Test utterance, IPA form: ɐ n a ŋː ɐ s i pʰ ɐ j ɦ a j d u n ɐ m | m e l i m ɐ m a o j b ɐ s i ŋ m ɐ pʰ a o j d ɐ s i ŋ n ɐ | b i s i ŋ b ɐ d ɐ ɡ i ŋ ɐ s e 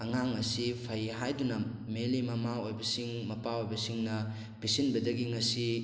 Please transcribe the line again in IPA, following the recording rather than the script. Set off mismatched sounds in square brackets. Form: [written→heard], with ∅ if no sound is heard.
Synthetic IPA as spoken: ɐ [n→ŋ] a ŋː ɐ s i pʰ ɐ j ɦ a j d u n ɐ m | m e l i m ɐ m a o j b ɐ s i ŋ m ɐ [pʰ→p] a o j [d→b] ɐ s i ŋ n ɐ | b i s i [ŋ→n] b ɐ d ɐ ɡ i ŋ ɐ s [e→i]